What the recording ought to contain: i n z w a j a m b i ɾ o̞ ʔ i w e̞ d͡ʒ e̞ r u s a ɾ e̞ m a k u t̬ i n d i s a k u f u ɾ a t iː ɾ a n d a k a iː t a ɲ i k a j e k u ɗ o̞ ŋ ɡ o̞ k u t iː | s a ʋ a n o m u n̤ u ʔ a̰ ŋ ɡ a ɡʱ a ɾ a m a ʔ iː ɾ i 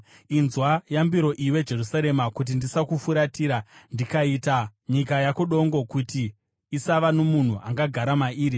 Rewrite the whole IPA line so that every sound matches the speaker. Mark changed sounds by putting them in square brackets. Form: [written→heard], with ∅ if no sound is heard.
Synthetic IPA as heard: i n z w a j a m b i ɾ o̞ ʔ i w e̞ d͡ʒ e̞ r u s a ɾ e̞ m a k u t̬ i n d i s a k u f u ɾ a t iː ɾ a n d [a→i] k a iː t a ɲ i k a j [e→a] k u ɗ o̞ ŋ ɡ o̞ k u t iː | s a ʋ a n o m u n̤ u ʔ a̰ ŋ ɡ a ɡʱ a ɾ a m a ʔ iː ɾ i

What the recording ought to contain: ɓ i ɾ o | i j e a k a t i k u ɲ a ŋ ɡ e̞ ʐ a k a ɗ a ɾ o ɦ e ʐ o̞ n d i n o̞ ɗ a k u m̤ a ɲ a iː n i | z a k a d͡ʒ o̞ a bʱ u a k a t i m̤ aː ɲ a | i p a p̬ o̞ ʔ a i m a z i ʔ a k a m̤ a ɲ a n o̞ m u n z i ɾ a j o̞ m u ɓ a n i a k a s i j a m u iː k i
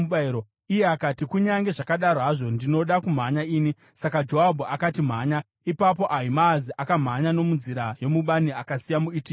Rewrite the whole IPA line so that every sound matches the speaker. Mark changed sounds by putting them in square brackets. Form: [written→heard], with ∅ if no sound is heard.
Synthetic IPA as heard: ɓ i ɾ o | i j e a k a t i k u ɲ a ŋ ɡ e̞ ʐ a k a ɗ a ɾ o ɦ [e→a] ʐ o̞ n d i n o̞ ɗ a k u m̤ a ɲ a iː n i | [z→s] a k a d͡ʒ o̞ a bʱ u a k a t i m̤ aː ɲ a | i p a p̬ o̞ ʔ a i m a z i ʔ a k a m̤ a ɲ a n o̞ m u n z i ɾ a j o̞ m u ɓ a n i a k a s i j a m u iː [k→t] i

